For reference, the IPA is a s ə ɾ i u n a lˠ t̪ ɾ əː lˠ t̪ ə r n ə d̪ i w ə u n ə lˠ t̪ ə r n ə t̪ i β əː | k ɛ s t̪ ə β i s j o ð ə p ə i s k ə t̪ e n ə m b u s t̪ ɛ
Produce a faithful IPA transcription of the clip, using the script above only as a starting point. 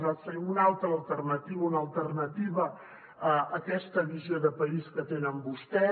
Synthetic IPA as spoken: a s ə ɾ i u n a lˠ t̪ ɾ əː lˠ t̪ ə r n ə t̪ i β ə u n ə lˠ t̪ ə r n ə t̪ i β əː | k ɛ s t̪ ə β i z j o ð ə p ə i s k ə t̪ e n ə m b u s t̪ ɛ